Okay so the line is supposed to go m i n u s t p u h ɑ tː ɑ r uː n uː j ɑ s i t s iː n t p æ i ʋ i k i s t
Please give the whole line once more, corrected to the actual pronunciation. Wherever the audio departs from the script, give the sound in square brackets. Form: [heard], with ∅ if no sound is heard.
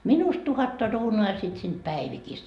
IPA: m i n u s t [t] u h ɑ tː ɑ r uː n uː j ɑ s i t s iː n t p æ i ʋ i k i s t